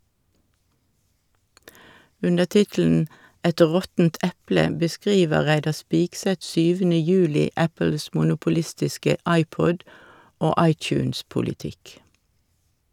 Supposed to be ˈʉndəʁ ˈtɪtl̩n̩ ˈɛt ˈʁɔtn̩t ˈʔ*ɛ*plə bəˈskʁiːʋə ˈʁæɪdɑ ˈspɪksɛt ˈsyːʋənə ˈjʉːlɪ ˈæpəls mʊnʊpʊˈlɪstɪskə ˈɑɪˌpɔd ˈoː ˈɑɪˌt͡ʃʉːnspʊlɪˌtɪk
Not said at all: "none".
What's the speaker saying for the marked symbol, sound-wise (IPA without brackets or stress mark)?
ɛ